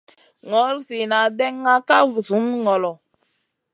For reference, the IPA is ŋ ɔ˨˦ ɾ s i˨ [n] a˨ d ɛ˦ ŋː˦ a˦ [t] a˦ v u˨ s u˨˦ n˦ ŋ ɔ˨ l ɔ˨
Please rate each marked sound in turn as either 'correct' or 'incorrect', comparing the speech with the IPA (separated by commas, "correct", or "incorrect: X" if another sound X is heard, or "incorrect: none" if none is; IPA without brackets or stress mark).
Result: correct, incorrect: k